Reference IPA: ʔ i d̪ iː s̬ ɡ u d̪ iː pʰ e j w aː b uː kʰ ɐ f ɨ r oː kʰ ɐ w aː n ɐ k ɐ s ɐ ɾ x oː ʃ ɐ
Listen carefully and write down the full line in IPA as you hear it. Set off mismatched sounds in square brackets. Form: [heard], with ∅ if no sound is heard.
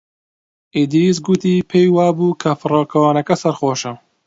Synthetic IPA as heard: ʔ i d̪ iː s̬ ɡ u [t̪] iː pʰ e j w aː b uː kʰ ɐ f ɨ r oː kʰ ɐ w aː n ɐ k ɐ s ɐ ɾ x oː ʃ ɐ

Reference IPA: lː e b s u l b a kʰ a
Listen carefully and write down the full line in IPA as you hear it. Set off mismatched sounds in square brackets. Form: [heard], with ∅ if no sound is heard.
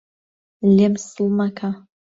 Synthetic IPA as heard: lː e [m] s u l [m] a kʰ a

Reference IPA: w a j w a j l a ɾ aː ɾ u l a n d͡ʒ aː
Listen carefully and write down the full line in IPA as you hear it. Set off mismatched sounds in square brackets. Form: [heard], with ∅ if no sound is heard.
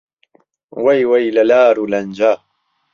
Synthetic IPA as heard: w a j w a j l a [l] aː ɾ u l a n d͡ʒ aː

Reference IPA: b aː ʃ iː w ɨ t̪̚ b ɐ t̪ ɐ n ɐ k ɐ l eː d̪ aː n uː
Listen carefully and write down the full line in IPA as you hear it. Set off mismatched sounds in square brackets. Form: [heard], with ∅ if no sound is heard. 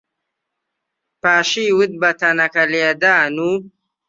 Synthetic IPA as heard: [p] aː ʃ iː w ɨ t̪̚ b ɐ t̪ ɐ n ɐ k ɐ l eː d̪ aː n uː

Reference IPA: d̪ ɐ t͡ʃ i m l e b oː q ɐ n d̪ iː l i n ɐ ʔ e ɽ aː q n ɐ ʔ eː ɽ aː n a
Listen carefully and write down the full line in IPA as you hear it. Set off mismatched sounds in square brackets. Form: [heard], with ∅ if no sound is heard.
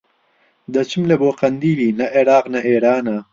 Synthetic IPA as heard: d̪ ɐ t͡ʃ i m l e b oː q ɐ n d̪ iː l i n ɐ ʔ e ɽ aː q n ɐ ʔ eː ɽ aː n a

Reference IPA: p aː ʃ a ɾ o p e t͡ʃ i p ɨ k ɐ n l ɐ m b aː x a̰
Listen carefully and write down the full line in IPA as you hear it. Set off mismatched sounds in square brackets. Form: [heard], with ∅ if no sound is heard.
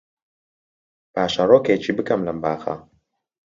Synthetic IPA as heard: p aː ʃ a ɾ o [k] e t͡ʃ i [b] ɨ k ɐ [m] l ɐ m b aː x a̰

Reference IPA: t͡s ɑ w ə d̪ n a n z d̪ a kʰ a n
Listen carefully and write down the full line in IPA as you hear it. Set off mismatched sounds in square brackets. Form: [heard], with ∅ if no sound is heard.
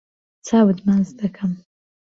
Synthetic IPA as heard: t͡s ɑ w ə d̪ [m] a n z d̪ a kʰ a [m]

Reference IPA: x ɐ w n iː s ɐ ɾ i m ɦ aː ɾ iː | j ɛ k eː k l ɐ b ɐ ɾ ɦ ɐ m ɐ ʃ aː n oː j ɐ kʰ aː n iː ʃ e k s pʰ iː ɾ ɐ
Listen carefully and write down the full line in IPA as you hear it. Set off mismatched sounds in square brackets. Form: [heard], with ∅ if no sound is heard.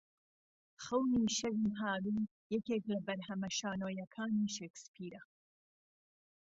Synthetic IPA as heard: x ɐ w n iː [ʃ] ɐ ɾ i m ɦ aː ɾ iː | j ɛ k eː k l ɐ b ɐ ɾ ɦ ɐ m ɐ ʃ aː n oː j ɐ kʰ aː n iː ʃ e k s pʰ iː ɾ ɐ

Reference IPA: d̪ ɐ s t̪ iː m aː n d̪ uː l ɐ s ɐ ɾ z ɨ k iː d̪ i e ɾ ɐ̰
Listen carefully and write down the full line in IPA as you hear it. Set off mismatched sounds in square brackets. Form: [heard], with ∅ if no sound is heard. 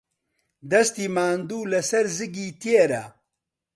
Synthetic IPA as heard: d̪ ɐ s t̪ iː m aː n d̪ uː l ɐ s ɐ ɾ z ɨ [ɡ] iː [t̪] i e ɾ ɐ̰

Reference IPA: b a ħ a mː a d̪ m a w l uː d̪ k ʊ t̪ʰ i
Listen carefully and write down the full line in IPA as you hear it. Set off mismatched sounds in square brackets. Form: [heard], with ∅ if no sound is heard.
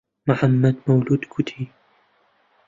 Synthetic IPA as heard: [m] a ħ a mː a d̪ m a w l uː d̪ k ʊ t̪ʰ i

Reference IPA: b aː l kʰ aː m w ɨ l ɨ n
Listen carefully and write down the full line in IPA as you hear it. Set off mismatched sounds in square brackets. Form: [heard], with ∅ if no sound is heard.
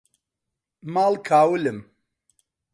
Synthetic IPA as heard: [m] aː l kʰ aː [∅] w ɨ l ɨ [m]

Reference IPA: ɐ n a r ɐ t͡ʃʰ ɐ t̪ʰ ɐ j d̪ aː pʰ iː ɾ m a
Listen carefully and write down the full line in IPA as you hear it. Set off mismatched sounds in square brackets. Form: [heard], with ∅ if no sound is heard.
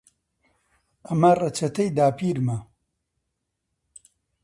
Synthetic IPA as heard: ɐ [m] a r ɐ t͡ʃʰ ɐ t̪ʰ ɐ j d̪ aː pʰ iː ɾ m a

